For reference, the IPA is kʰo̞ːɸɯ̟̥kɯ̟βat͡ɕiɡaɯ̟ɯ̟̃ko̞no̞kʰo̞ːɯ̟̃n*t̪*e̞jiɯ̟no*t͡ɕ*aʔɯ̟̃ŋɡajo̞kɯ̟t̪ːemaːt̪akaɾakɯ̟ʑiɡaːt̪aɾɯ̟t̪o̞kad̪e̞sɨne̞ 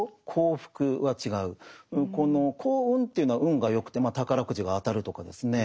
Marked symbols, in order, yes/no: yes, no

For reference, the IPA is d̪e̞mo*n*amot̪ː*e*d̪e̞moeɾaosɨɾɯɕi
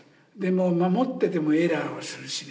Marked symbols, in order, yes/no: no, yes

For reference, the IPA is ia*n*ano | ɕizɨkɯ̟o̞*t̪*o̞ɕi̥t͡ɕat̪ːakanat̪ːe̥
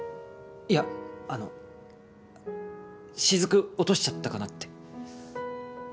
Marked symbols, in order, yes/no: no, yes

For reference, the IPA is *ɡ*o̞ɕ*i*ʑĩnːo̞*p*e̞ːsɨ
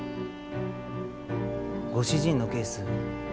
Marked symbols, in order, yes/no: yes, yes, no

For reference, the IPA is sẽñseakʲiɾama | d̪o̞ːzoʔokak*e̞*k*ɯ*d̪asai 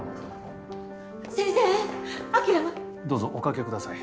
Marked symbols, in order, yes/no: yes, yes

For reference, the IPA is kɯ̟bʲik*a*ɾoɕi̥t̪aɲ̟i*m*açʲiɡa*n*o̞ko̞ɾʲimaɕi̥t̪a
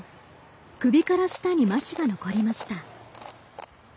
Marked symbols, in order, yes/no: yes, yes, yes

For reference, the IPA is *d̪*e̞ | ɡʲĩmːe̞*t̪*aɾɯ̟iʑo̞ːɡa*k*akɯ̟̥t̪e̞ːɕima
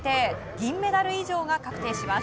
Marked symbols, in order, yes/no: no, no, yes

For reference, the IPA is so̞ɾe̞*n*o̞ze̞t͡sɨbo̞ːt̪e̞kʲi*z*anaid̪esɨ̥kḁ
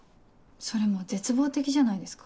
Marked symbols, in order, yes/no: no, no

